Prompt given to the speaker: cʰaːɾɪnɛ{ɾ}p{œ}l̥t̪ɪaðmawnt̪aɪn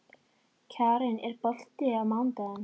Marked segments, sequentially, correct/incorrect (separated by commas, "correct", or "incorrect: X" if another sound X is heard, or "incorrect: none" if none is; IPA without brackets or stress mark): correct, correct